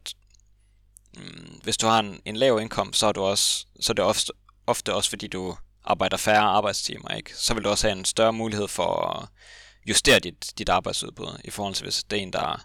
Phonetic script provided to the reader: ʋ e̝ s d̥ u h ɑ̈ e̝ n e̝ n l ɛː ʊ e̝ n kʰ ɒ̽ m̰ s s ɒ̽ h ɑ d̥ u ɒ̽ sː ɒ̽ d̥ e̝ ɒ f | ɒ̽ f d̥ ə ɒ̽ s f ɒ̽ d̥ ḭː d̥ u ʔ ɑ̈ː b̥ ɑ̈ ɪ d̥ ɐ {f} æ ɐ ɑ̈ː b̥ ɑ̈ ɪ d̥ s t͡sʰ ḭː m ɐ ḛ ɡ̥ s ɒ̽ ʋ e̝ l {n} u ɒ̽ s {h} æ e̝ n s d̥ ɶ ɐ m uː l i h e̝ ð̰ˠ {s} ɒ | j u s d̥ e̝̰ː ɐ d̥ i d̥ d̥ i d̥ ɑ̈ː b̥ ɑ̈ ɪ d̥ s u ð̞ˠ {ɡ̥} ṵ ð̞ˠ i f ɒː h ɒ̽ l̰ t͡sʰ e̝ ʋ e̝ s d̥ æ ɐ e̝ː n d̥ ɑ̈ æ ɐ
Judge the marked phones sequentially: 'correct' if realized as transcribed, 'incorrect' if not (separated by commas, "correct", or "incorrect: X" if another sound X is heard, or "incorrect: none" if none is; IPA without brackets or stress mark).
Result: correct, incorrect: d, correct, incorrect: f, incorrect: b̥